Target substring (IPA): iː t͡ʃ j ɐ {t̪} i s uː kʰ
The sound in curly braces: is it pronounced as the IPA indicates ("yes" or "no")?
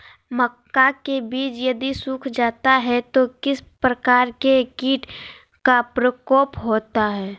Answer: no